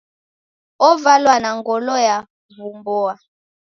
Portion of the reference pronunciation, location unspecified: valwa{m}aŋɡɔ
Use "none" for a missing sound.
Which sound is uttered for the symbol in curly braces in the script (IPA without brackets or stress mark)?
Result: n